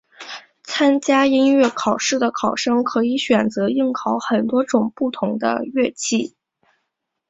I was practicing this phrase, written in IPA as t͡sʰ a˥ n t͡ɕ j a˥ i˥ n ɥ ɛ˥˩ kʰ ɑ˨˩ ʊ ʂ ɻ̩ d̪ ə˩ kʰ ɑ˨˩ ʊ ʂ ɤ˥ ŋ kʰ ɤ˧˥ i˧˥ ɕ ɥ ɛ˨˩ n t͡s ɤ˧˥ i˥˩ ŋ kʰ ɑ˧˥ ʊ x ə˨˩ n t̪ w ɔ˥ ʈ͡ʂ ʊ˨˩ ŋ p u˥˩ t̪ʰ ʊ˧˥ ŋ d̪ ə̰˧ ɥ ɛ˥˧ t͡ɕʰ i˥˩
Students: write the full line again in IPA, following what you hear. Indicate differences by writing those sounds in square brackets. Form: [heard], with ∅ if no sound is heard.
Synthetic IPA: t͡sʰ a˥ n t͡ɕ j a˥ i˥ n ɥ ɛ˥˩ kʰ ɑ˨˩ ʊ ʂ ɻ̩ d̪ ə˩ kʰ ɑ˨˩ ʊ ʂ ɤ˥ ŋ kʰ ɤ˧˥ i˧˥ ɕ ɥ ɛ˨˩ n t͡s ɤ˧˥ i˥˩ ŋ kʰ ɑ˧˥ ʊ x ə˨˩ n t̪ w ɔ˥ ʈ͡ʂ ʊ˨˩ ŋ p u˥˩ t̪ʰ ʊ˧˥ ŋ d̪ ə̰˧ ɥ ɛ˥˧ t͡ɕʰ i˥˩